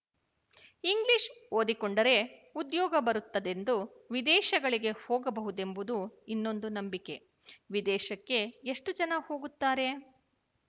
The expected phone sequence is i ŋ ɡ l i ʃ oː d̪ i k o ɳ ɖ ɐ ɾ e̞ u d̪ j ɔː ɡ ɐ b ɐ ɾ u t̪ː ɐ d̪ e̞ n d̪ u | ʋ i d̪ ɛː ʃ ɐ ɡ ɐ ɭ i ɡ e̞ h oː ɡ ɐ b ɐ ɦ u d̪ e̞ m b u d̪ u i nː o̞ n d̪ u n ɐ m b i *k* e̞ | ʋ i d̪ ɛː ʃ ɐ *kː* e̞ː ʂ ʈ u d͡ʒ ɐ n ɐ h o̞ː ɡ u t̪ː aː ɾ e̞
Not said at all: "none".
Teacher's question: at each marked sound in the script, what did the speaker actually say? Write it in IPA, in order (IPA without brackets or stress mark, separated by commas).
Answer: k, kː